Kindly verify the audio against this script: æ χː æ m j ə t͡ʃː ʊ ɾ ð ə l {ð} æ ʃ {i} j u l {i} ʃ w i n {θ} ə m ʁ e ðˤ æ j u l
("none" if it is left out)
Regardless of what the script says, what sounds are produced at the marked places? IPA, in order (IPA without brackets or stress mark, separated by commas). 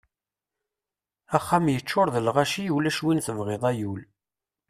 ʁ, i, æ, θ